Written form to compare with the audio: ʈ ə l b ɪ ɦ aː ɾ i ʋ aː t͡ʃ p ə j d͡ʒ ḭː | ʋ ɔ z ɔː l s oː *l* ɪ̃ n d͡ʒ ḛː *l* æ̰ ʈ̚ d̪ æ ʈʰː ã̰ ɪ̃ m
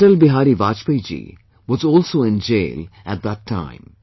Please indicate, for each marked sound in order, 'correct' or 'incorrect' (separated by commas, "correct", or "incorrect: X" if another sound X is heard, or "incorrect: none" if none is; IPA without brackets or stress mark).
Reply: incorrect: none, correct